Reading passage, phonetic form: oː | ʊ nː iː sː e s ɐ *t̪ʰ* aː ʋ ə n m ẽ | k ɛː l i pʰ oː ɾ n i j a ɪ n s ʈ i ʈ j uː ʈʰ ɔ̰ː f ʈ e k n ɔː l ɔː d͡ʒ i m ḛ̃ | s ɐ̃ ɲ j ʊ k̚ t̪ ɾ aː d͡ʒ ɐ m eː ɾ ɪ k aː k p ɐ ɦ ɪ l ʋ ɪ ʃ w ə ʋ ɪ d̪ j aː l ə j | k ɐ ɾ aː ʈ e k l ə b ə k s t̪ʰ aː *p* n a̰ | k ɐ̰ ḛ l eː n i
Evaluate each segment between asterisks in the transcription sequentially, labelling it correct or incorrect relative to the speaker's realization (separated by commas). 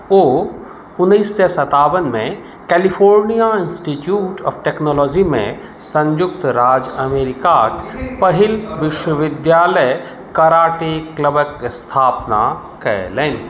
incorrect, correct